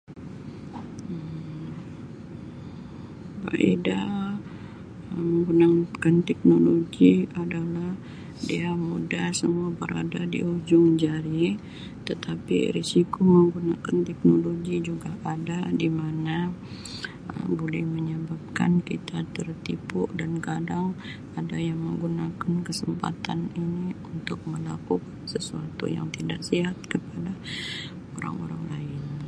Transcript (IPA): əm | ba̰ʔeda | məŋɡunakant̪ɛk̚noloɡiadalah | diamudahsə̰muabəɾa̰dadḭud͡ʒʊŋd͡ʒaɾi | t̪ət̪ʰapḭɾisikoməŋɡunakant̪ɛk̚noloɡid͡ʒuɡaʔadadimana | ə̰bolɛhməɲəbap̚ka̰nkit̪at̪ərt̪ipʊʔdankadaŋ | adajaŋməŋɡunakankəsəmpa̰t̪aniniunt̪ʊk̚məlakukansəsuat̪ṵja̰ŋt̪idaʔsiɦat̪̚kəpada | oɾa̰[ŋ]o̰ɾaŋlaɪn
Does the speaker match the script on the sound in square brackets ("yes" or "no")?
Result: yes